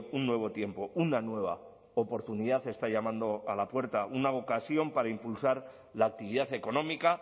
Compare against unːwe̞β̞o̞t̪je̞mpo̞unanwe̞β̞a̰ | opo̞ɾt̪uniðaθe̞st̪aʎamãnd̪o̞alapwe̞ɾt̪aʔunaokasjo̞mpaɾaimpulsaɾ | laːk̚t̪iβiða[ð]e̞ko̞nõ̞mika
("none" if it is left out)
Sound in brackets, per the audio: θ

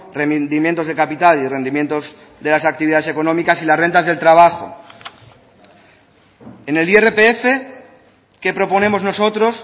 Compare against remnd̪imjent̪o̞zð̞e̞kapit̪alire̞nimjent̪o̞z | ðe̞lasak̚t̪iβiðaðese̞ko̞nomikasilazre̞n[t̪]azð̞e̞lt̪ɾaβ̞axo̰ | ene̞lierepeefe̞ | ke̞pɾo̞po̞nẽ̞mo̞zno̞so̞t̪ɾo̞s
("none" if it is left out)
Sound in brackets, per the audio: t̪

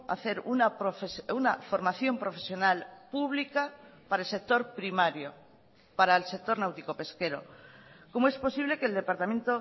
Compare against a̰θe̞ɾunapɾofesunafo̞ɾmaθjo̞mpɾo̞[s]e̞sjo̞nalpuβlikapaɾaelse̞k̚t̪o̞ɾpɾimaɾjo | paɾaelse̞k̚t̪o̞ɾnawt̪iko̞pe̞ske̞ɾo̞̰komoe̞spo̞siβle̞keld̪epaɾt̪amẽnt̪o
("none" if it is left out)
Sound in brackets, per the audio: f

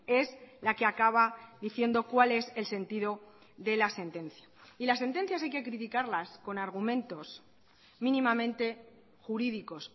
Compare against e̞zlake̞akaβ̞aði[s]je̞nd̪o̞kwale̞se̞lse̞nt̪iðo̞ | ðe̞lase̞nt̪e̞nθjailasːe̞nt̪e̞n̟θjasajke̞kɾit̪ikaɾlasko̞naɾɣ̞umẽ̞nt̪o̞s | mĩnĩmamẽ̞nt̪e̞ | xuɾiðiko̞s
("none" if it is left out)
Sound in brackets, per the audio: θ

